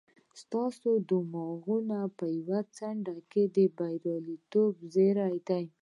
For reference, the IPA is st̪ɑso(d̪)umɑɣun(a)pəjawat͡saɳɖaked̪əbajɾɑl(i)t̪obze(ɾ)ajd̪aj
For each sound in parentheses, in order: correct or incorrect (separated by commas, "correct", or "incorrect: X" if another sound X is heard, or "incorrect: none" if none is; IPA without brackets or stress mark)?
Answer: correct, correct, correct, correct